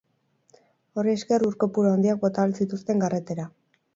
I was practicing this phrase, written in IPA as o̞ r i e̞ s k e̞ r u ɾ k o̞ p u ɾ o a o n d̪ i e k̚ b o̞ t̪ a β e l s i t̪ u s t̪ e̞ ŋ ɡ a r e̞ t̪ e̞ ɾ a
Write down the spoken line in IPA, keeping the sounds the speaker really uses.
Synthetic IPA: o̞ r i e̞ s k e̞ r u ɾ k o̞ p u ɾ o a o n d̪ i a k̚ b o̞ t̪ a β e l s i t̪ u s t̪ e̞ ŋ ɡ a r e̞ t̪ e̞ ɾ a